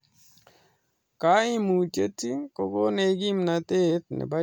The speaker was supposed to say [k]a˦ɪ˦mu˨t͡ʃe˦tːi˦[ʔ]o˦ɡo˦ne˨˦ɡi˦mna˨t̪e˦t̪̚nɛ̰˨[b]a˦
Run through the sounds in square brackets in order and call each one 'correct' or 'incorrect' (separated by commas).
correct, incorrect, correct